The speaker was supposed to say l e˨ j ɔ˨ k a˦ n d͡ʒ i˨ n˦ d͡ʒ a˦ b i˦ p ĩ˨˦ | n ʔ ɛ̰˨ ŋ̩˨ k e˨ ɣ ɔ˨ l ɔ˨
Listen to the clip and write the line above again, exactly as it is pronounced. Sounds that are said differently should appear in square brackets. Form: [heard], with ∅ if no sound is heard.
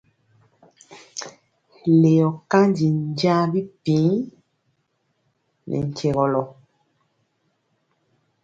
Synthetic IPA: l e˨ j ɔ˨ k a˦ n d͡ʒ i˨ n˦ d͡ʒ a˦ b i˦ p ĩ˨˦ | n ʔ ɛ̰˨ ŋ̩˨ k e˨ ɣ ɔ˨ l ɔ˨